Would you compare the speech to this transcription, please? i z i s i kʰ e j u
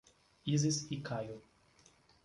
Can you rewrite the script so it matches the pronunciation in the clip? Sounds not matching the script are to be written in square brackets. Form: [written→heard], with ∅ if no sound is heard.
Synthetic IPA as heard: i z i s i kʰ [e→a] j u

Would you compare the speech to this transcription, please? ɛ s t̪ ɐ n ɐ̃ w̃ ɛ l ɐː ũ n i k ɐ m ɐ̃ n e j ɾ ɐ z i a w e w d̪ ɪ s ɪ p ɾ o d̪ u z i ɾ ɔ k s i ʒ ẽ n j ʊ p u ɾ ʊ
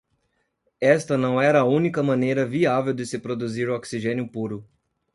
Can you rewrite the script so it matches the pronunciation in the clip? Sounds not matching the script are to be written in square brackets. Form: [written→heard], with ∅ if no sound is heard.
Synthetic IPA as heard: ɛ s t̪ ɐ n ɐ̃ w̃ ɛ [l→ɾ] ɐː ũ n i k ɐ m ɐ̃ n e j ɾ ɐ [z→v] i a [w→v] e w d̪ ɪ s ɪ p ɾ o d̪ u z i ɾ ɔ k s i ʒ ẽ n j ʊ p u ɾ ʊ

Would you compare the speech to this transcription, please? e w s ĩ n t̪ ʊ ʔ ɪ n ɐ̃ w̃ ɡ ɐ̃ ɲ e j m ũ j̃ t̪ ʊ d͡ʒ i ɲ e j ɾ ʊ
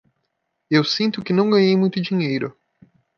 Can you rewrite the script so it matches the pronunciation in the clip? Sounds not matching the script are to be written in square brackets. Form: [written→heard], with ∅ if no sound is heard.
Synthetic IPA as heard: e w s ĩ n t̪ ʊ [ʔ→k] ɪ n ɐ̃ w̃ ɡ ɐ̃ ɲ e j m ũ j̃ t̪ ʊ d͡ʒ i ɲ e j ɾ ʊ

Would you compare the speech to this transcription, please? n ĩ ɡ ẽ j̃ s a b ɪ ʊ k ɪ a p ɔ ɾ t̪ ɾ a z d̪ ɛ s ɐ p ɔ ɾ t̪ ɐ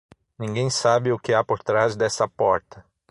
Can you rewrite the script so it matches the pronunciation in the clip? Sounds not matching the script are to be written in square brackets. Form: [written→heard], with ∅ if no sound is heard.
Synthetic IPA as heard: n ĩ ɡ ẽ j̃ s a b ɪ ʊ k ɪ a p [ɔ→o] ɾ t̪ ɾ a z d̪ ɛ s ɐ p ɔ ɾ t̪ ɐ

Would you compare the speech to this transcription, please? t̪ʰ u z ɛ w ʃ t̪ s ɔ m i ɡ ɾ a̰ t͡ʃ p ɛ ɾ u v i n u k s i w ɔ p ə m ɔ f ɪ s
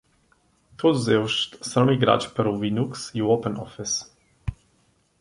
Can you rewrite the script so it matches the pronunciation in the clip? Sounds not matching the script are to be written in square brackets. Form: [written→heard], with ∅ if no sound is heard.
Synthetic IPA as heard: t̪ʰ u z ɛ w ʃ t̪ s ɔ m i ɡ ɾ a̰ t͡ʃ p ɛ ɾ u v i n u k s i w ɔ p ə [m→n] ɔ f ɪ s

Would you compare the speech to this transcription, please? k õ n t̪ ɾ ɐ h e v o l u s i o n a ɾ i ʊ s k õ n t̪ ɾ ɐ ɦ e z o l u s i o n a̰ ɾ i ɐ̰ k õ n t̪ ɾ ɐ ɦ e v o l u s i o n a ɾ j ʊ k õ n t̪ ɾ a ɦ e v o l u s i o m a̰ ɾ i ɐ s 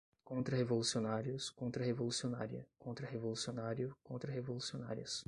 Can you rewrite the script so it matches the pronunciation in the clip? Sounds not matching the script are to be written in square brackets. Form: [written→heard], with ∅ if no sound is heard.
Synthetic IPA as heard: k õ n t̪ ɾ ɐ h e v o l u s i o n a ɾ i ʊ s k õ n t̪ ɾ ɐ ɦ e [z→v] o l u s i o n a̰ ɾ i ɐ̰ k õ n t̪ ɾ ɐ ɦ e v o l u s i o n a ɾ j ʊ k õ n t̪ ɾ [a→ɐ] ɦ e v o l u s i o [m→n] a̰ ɾ i ɐ s

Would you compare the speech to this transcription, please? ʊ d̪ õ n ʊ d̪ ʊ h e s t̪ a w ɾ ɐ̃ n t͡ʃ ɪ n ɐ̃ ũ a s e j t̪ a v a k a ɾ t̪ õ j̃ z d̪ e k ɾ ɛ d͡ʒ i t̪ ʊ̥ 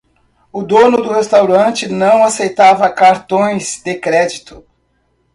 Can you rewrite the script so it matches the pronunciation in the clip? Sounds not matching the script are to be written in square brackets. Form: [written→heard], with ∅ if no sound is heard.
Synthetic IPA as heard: ʊ d̪ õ n ʊ d̪ ʊ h e s t̪ a w ɾ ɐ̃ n t͡ʃ ɪ n ɐ̃ [ũ→w̃] a s e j t̪ a v [a→ɐ] k a ɾ t̪ õ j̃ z d̪ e k ɾ ɛ d͡ʒ i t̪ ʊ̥

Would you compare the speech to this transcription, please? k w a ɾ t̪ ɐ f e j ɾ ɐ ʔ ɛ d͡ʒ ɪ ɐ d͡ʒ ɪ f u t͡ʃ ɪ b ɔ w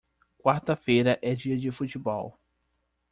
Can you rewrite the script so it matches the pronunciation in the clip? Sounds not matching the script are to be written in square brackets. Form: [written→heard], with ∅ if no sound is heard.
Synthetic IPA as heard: k w a ɾ t̪ ɐ f e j ɾ ɐ ʔ ɛ d͡ʒ [ɪ→i] ɐ d͡ʒ ɪ f u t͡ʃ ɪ b ɔ w

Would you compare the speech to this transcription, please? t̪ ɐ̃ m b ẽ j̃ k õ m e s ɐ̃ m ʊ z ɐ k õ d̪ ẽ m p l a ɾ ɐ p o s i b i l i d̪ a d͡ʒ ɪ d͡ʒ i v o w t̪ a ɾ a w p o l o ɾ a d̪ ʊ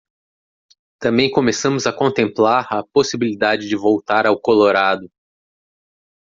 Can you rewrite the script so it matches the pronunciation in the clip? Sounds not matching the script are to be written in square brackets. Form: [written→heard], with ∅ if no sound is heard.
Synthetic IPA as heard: t̪ ɐ̃ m b ẽ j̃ k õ m e s ɐ̃ m ʊ z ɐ k õ [d̪→t̪] ẽ m p l a ɾ ɐ p o s i b i l i d̪ a d͡ʒ ɪ d͡ʒ [i→ɪ] v o w t̪ a ɾ a w [p→k] o l o ɾ a d̪ ʊ

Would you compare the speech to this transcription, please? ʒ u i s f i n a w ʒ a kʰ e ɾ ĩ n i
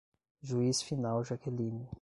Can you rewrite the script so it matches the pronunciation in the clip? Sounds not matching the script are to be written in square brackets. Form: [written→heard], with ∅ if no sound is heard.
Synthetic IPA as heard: ʒ u i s f i n a w ʒ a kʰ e [ɾ→l] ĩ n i

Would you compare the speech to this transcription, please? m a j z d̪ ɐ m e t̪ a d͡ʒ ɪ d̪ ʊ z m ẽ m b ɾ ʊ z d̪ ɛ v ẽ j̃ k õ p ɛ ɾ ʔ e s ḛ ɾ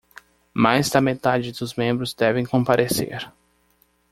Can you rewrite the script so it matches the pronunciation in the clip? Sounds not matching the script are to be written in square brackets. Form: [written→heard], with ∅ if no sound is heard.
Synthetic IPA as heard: m a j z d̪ ɐ m e t̪ a d͡ʒ ɪ d̪ ʊ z m ẽ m b ɾ ʊ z d̪ ɛ v ẽ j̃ k õ p [ɛ→a] ɾ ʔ e s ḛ ɾ

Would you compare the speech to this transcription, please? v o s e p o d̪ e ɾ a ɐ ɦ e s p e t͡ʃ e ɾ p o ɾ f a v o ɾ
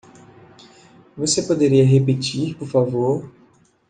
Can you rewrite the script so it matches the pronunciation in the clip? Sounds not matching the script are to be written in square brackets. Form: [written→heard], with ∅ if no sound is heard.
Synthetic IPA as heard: v o s e p o d̪ e ɾ [a→i] ɐ ɦ e [s→∅] p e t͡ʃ [e→i] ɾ p o ɾ f a v o ɾ

